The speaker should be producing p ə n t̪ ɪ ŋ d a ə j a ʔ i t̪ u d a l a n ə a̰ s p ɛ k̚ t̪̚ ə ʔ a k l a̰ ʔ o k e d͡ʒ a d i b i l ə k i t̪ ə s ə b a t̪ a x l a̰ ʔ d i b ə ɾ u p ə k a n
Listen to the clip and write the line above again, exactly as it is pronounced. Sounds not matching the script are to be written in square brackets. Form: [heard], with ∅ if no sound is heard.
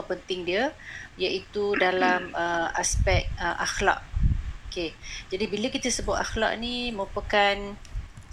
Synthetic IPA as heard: p ə n t̪ ɪ ŋ d [i] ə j a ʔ i t̪ u d a l a [m] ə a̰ s p ɛ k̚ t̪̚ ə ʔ a [x] l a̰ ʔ o k e d͡ʒ a d i b i l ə k i t̪ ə s ə b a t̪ a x l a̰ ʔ [n] i [m] ə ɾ u p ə k a n